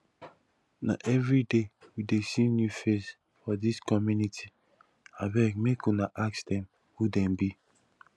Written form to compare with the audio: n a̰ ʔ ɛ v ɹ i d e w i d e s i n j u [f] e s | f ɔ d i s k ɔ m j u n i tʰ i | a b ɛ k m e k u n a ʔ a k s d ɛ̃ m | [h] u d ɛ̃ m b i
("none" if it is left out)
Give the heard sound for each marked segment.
f, h

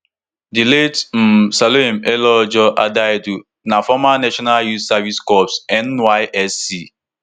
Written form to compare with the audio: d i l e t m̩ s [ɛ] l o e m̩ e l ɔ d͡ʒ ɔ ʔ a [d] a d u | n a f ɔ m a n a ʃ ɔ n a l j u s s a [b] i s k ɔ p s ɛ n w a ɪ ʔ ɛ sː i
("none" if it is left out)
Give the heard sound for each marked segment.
a, d, v

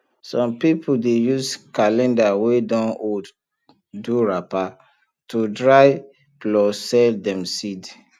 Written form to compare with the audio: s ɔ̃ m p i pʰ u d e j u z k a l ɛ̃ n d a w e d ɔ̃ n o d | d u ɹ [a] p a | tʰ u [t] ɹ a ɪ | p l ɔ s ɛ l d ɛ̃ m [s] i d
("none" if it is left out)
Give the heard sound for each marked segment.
a, d, s

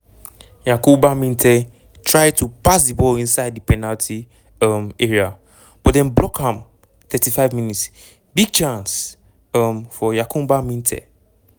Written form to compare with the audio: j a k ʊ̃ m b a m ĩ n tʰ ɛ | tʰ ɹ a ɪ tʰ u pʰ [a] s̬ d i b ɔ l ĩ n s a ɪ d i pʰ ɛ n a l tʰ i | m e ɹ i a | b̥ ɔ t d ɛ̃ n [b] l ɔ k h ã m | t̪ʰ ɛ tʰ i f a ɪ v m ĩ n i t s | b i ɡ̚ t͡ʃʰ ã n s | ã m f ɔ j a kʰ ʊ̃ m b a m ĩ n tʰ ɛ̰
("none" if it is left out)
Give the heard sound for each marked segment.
a, b

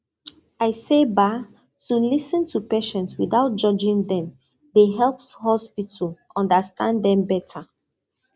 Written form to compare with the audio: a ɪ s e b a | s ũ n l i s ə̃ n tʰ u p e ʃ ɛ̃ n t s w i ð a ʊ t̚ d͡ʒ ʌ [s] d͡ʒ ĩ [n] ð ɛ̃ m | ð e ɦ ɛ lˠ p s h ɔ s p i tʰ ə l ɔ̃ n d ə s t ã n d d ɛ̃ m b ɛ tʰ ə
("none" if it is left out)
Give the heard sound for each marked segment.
none, ŋ

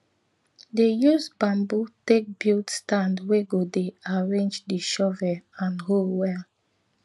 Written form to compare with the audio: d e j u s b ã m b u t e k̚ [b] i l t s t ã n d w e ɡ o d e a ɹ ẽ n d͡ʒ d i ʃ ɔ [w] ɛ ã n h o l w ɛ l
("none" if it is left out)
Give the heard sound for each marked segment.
b, v

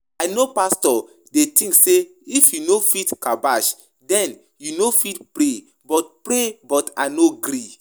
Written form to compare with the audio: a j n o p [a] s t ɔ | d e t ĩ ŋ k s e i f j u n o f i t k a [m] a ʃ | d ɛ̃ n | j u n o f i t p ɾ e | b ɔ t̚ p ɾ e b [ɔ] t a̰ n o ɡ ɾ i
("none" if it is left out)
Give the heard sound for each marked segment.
a, b, ɔ

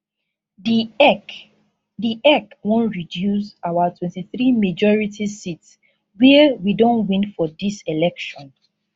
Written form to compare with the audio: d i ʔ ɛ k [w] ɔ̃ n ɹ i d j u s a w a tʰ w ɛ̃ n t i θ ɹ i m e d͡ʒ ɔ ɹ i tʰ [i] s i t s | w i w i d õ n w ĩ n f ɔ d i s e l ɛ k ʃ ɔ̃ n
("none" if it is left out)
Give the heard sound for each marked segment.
w, i

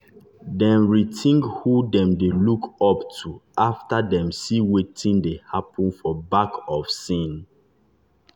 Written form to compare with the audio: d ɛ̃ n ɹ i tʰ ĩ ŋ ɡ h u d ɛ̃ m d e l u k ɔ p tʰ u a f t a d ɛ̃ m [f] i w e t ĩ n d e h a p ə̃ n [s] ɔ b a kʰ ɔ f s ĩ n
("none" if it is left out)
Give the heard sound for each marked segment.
s, f

